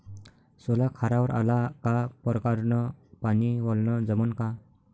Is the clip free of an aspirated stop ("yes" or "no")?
no